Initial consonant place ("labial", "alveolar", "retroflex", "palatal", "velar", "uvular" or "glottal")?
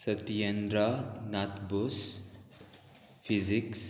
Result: alveolar